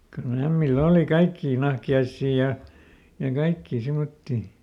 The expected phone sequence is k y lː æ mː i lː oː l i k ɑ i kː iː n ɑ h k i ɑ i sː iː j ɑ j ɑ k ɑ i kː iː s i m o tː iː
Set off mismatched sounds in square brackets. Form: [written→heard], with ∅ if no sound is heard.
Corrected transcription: k y lː æ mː i lː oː l i k ɑ i kː iː n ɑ h k i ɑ i sː iː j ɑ j ɑ k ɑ i kː iː s i m o tː iː